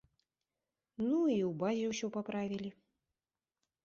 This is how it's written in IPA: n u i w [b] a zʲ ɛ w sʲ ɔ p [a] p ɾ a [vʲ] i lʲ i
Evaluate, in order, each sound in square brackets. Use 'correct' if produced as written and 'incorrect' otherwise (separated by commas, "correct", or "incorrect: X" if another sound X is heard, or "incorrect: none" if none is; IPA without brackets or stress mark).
correct, correct, correct